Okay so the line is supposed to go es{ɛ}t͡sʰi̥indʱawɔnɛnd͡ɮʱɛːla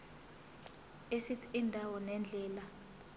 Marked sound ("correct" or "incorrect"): incorrect